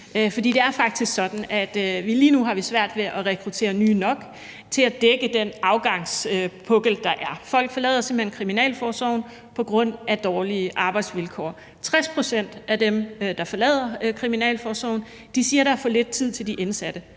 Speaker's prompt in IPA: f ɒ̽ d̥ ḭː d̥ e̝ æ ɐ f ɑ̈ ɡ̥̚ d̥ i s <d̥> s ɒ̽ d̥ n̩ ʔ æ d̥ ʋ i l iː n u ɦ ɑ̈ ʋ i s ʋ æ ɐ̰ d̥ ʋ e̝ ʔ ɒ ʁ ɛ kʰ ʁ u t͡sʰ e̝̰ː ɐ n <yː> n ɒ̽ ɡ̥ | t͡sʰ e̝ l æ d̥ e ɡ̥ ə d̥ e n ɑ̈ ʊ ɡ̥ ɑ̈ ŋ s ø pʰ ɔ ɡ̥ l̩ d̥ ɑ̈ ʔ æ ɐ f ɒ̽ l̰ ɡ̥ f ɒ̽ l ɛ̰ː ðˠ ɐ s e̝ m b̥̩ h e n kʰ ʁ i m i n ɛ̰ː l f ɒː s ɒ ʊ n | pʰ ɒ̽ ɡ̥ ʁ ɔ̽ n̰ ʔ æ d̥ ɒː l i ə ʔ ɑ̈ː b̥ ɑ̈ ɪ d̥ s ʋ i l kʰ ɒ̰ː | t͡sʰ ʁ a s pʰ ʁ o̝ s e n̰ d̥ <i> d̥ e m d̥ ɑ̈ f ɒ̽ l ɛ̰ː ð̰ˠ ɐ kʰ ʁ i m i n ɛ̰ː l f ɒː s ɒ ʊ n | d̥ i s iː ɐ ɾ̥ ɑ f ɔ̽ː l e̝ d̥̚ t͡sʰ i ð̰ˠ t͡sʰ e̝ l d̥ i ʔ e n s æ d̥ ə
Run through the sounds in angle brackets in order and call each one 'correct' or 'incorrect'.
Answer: incorrect: ɡ̥, correct, incorrect: æ

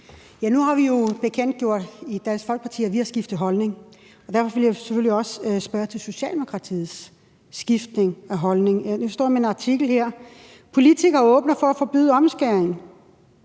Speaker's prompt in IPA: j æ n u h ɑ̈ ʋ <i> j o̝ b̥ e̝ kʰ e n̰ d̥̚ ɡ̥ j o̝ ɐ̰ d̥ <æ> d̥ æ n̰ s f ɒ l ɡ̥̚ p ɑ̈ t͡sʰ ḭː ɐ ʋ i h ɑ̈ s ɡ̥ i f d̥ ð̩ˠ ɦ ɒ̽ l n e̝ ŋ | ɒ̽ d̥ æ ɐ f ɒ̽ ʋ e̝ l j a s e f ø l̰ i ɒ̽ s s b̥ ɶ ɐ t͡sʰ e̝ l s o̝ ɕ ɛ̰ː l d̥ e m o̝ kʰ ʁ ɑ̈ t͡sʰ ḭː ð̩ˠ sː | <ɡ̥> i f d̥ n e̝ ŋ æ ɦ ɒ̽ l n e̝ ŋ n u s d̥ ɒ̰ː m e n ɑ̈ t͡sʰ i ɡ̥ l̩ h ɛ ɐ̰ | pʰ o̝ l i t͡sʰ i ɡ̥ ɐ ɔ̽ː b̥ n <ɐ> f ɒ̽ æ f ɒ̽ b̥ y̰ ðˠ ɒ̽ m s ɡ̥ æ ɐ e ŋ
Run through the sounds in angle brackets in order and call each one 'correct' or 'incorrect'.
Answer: correct, incorrect: i, correct, correct

